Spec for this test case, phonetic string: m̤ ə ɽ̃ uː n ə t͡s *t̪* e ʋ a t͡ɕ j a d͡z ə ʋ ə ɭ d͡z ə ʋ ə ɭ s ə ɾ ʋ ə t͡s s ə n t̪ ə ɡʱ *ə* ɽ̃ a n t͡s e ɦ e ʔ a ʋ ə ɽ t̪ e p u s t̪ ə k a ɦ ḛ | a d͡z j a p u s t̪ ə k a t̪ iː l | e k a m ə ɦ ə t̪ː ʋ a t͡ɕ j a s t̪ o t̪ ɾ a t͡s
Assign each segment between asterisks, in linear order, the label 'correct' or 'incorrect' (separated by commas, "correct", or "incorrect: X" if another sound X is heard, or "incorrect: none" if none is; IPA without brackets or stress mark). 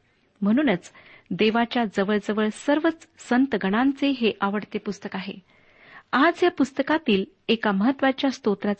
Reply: incorrect: d̪, correct